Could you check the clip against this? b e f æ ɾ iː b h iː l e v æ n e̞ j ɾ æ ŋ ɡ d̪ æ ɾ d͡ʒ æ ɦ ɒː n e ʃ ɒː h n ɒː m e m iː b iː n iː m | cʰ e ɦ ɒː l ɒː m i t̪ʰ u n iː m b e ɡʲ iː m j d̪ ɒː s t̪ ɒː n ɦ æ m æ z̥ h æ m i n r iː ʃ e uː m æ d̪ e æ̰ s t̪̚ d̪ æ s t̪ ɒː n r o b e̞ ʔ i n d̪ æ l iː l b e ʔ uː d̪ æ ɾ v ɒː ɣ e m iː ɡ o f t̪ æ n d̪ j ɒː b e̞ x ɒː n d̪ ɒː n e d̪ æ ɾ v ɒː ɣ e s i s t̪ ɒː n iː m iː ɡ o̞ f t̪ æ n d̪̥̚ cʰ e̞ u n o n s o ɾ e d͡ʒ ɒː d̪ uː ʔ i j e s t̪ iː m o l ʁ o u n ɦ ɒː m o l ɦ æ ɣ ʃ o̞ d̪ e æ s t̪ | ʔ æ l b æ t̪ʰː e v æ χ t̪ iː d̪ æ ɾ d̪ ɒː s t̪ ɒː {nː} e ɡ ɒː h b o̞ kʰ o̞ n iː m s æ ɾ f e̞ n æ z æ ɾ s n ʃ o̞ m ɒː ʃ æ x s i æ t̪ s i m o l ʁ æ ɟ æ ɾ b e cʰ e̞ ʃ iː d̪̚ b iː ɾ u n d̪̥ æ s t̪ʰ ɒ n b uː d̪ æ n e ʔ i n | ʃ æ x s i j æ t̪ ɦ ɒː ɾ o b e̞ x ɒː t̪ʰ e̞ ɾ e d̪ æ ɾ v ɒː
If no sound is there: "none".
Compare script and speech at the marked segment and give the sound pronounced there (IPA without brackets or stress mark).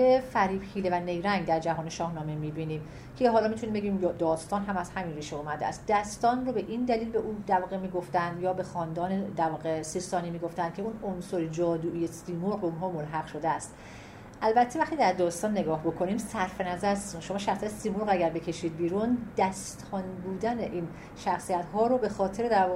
nː